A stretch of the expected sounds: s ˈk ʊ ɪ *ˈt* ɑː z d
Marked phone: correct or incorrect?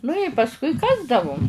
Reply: incorrect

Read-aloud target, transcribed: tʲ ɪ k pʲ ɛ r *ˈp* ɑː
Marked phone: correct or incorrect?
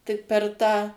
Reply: incorrect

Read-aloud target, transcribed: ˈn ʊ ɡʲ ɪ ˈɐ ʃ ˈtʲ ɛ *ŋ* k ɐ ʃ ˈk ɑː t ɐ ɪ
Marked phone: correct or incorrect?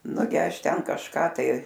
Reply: incorrect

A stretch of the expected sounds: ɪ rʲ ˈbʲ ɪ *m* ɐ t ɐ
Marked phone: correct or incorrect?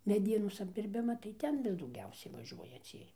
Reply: correct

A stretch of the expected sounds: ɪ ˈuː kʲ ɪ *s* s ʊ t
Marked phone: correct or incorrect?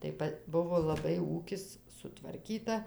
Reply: correct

